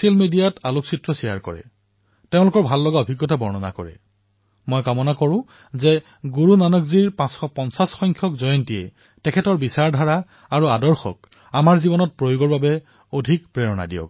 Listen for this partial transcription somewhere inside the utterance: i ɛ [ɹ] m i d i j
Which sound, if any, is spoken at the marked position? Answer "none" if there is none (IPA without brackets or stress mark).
l